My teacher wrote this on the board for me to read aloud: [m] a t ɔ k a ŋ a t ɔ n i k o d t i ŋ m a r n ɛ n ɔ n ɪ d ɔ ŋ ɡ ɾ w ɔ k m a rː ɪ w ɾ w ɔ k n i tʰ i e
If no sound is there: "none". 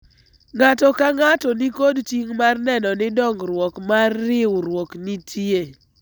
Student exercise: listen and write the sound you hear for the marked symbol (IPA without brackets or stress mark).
ŋ